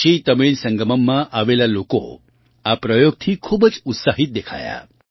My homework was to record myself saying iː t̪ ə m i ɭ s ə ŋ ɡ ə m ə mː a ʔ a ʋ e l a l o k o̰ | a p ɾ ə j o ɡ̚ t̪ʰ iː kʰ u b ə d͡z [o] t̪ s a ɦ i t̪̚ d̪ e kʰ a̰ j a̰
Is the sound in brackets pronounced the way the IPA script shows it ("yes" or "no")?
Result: no